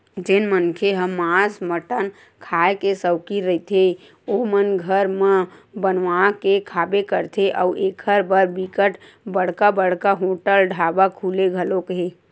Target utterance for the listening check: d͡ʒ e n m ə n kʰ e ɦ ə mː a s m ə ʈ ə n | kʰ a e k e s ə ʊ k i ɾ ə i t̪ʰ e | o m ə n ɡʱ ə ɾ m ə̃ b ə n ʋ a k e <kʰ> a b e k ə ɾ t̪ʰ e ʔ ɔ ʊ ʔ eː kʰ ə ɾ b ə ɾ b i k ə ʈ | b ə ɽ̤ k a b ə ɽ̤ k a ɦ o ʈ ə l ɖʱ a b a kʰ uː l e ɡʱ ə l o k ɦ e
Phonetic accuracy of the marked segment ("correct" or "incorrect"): correct